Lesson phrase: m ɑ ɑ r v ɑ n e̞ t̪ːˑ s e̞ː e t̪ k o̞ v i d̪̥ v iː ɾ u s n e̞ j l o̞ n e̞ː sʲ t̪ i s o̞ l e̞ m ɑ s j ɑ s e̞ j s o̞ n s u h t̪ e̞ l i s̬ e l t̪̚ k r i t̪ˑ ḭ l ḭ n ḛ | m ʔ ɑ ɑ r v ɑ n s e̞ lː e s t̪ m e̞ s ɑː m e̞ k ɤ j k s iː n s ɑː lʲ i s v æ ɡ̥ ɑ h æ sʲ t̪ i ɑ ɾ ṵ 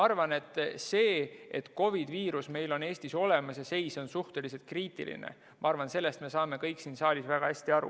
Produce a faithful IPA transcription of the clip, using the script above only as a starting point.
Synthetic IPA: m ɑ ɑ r v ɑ n e̞ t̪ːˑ s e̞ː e t̪ k o̞ v i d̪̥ v iː ɾ u s m e̞ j l o̞ n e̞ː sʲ t̪ i s o̞ l e̞ m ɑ s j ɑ s e̞ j s o̞ n s u h t̪ e̞ l i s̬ e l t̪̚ k r iː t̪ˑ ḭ l ḭ n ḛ | m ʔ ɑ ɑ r v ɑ n s e̞ lː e s t̪ m e̞ s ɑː m e̞ k ɤ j k s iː n s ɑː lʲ i s v æ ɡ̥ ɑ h æ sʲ t̪ i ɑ ɾ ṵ